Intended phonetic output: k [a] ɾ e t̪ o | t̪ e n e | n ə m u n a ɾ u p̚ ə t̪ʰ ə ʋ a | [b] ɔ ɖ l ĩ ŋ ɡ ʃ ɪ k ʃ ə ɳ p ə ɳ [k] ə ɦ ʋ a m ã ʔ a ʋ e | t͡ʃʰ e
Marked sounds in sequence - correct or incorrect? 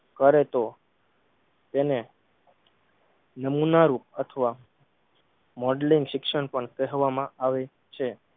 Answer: incorrect: ə, incorrect: m, correct

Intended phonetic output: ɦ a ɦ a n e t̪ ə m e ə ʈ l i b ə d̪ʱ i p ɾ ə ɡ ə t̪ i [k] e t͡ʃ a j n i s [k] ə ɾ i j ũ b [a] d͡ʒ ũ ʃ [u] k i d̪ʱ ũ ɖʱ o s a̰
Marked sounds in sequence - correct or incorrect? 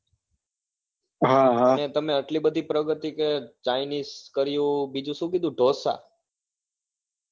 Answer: correct, correct, incorrect: i, incorrect: ũ

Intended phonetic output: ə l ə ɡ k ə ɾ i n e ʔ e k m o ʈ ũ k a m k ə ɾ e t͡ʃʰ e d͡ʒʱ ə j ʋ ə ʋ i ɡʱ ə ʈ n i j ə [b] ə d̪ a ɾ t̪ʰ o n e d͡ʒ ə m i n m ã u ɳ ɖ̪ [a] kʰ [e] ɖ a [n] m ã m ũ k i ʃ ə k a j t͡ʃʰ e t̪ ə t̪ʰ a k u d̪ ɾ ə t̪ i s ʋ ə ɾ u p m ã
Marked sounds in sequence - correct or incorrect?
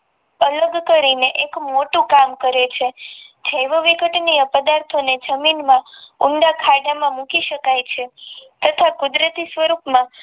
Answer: incorrect: p, correct, incorrect: a, incorrect: none

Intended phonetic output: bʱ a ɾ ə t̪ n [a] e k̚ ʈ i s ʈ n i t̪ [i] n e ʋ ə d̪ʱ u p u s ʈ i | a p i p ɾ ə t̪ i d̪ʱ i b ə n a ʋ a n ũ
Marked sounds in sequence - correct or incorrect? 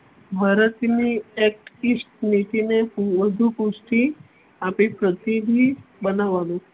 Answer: incorrect: i, correct

